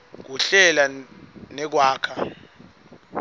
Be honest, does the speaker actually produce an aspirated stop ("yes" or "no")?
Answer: yes